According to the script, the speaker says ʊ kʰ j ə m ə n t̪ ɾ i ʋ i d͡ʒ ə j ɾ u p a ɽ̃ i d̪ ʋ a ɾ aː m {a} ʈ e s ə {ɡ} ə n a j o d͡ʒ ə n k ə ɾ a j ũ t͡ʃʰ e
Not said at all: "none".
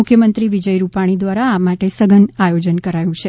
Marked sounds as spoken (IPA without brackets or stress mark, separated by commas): a, ɡ